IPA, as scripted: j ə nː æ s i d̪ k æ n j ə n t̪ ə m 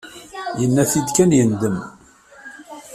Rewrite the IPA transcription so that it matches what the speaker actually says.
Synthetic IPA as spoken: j ə nː æ θ i d̪ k æ n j ə n d̪ ə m

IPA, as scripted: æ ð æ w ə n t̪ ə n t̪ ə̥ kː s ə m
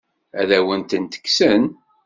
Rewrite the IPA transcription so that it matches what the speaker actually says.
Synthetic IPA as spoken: æ ð æ w ə n t̪ ə n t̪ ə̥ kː s ə n

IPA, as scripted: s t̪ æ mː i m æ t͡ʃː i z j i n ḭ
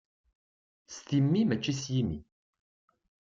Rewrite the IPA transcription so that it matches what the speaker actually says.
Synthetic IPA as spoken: s t̪ i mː i m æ t͡ʃː i s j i m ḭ

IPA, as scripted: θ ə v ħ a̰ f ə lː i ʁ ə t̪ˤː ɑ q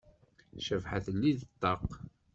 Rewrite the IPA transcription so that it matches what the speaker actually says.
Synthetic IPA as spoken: ʃ ə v ħ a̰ θ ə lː i ð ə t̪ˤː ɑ q

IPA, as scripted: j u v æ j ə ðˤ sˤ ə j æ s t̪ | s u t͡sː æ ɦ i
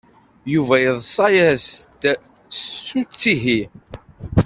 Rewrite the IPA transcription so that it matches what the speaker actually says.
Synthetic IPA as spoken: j u v æ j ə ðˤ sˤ ɑ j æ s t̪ | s u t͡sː i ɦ i

